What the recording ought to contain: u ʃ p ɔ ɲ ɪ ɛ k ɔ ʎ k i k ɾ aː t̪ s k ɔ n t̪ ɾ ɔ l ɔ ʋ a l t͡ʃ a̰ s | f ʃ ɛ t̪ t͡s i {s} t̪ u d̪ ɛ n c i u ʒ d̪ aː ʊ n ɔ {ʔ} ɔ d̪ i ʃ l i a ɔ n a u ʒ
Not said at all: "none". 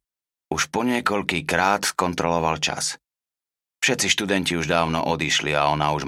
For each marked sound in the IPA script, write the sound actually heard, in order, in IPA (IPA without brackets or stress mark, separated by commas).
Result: ʃ, ʔ